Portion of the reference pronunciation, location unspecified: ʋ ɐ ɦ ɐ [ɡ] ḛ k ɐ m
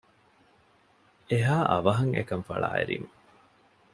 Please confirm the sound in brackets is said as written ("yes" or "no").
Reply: no